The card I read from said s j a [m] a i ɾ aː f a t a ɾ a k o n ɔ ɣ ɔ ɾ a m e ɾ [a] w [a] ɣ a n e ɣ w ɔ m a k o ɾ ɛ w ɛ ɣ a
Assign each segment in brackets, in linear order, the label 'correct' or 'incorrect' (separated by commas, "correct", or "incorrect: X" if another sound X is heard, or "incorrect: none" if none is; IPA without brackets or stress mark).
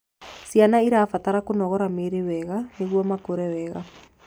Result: incorrect: n, incorrect: e, incorrect: ɛ